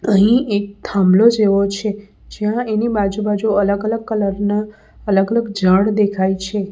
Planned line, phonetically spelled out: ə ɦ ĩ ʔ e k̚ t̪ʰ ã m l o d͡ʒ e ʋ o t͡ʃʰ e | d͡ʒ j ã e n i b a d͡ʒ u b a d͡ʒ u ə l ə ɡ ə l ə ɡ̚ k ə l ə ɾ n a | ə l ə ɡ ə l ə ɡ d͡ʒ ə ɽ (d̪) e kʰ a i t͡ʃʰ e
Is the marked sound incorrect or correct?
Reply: correct